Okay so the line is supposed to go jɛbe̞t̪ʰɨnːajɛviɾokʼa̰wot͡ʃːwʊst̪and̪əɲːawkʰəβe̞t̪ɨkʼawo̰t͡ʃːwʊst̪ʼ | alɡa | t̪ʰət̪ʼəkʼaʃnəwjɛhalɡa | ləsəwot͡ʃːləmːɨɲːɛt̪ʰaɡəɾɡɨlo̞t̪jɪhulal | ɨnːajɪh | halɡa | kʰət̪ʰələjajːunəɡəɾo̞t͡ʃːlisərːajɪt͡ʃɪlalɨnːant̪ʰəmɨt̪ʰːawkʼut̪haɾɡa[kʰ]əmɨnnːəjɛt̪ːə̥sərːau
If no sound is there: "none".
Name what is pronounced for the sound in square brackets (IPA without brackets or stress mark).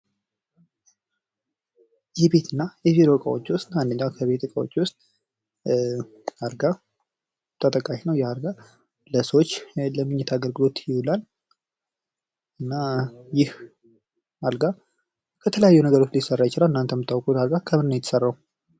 kʰ